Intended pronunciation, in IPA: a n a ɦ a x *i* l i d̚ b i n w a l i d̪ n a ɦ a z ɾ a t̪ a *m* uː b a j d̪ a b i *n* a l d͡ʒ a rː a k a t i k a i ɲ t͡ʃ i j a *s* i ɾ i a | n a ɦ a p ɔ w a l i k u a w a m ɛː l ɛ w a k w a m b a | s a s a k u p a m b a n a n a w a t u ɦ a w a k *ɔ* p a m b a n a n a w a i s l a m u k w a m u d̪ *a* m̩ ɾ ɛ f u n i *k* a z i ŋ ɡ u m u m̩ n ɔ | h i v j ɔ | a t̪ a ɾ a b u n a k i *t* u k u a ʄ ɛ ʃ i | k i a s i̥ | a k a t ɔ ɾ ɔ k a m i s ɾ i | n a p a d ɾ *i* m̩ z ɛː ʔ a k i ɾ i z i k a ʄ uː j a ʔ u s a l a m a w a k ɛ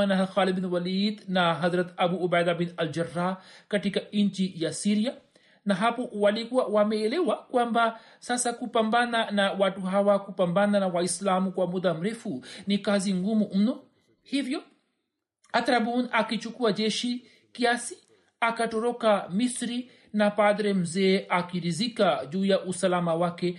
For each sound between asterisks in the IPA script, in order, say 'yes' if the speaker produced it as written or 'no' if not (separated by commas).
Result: no, no, yes, yes, no, yes, yes, no, no